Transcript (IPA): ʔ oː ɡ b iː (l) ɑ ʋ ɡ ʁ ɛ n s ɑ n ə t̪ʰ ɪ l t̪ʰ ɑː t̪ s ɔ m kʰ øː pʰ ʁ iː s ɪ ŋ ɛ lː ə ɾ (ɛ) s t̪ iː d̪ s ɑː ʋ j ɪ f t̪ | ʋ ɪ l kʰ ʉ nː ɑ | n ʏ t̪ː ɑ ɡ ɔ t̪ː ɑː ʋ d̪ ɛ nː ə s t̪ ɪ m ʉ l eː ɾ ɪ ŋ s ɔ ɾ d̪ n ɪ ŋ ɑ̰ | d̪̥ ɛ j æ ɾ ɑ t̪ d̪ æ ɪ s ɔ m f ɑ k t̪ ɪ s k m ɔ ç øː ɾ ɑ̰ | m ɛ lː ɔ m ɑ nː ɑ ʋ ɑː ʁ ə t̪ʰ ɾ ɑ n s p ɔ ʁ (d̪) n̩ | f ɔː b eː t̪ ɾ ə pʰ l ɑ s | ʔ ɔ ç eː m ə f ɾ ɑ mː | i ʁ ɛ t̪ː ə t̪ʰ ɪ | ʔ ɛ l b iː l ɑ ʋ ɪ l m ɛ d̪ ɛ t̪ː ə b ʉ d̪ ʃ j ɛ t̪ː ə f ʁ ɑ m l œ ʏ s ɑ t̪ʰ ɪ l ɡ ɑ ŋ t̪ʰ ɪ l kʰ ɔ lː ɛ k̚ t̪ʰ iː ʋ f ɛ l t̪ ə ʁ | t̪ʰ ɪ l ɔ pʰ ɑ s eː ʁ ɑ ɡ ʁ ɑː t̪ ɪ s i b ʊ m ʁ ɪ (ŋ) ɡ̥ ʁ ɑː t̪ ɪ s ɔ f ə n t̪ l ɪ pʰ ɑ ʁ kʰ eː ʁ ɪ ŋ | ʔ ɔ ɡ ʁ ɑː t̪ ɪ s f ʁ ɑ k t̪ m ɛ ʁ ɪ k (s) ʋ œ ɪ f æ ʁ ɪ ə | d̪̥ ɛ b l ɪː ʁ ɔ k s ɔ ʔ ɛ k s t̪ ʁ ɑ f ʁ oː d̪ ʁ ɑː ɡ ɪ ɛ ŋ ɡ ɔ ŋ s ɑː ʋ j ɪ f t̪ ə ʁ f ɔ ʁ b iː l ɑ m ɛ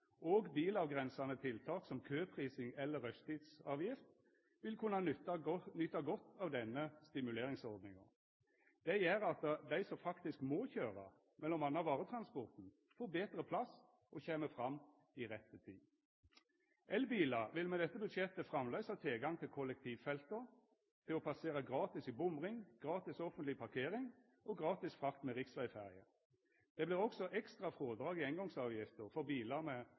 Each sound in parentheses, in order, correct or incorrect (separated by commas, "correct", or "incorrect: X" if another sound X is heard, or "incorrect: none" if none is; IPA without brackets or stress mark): correct, incorrect: œ, incorrect: t̪, correct, correct